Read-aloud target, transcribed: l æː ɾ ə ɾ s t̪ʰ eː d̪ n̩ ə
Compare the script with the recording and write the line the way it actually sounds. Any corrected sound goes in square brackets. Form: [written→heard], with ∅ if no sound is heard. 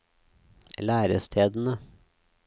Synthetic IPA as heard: l æː ɾ ə [ɾ→∅] s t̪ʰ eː d̪ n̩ ə